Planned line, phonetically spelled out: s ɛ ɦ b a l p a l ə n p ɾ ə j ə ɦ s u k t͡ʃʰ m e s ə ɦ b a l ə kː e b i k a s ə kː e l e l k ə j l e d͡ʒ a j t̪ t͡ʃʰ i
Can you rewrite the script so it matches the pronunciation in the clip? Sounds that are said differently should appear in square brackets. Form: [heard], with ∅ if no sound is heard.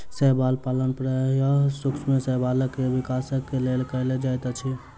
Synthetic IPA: s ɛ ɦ b a l p a l ə n p ɾ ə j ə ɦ s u k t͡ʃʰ m e s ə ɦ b a l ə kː e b i k a s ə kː e l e l k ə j l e d͡ʒ a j t̪ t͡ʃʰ i

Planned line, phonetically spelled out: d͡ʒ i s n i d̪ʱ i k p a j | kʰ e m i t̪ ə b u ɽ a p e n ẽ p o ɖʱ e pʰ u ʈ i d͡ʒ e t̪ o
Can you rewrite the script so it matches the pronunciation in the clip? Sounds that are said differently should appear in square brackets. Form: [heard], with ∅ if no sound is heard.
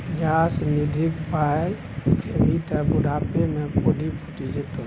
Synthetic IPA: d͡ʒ [a] s n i d̪ʱ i k p a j | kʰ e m i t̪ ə b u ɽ a p e [m] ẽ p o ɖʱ [i] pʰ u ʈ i d͡ʒ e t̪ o

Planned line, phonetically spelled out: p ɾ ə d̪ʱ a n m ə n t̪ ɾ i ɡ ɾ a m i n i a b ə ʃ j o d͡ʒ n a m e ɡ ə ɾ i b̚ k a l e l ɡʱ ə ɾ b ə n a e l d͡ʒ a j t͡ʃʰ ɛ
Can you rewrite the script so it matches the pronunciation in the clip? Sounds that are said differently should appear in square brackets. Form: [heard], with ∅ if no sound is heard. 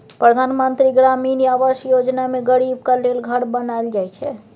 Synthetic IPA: p ɾ ə d̪ʱ a n m ə n t̪ ɾ i ɡ ɾ a m i n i a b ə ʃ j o d͡ʒ n a m e ɡ ə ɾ i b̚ k a l e l ɡʱ ə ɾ b ə n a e l d͡ʒ a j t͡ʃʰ ɛ

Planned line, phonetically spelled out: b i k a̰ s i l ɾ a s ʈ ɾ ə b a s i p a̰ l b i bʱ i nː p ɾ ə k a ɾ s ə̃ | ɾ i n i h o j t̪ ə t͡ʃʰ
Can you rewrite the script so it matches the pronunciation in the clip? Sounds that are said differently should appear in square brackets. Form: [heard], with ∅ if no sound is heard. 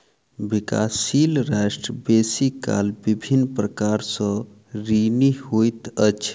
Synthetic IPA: b i k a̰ s i l ɾ a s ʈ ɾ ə b [e] s i [k] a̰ l b i bʱ i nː p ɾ ə k a ɾ s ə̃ | ɾ i n i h o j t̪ ə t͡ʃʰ

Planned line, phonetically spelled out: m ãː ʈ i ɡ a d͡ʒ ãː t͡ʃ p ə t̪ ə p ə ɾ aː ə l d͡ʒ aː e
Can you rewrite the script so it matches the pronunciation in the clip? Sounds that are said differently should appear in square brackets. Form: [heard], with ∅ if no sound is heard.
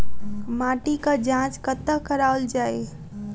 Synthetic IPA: m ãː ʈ i [k] a d͡ʒ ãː t͡ʃ [k] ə t̪ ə [k] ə ɾ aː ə l d͡ʒ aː e

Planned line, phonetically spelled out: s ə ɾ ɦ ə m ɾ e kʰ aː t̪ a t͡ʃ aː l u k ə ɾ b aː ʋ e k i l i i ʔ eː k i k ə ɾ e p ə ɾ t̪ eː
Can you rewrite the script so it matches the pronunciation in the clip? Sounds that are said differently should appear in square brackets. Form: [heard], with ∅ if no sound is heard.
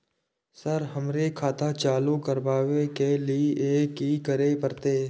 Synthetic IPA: s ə ɾ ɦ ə m ɾ e kʰ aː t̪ a t͡ʃ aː l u k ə ɾ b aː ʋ e k [e] l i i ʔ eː k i k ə ɾ e p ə ɾ t̪ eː

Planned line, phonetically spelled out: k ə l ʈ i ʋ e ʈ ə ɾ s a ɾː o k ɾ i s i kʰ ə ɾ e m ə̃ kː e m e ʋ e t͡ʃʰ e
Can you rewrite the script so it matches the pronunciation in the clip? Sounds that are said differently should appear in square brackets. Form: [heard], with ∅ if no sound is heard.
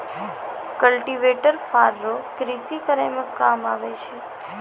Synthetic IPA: k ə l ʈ i ʋ e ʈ ə ɾ [f] a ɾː o k ɾ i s i [k] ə ɾ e m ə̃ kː [a] m [a] ʋ e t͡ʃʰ e

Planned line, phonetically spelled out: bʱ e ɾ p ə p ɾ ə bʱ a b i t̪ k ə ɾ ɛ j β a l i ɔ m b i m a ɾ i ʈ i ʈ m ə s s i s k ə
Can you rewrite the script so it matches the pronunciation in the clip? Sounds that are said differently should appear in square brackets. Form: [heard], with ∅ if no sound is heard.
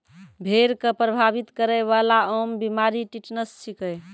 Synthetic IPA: bʱ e ɾ [k] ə p ɾ ə bʱ a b i t̪ k ə ɾ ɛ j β a l [a] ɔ m b i m a ɾ i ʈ i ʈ [n] ə s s i [∅] k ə

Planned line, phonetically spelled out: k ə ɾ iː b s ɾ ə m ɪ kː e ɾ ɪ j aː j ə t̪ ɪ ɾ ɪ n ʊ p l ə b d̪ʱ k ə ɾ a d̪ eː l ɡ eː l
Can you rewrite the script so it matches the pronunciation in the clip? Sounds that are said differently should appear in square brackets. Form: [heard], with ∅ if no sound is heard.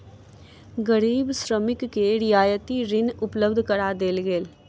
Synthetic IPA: [ɡ] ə ɾ iː b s ɾ ə m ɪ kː e ɾ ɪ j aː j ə t̪ [i] ɾ ɪ n ʊ p l ə b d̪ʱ k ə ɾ a d̪ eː l ɡ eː l

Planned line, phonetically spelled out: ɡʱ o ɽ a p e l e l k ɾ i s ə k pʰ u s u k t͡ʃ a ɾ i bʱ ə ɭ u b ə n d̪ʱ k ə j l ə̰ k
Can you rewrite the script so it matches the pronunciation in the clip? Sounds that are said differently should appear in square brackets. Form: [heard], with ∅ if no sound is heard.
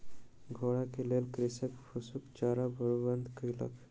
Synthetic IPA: ɡʱ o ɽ a [k] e l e l k ɾ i s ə k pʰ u s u k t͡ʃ a ɾ [a] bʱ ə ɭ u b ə n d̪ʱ k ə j l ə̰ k

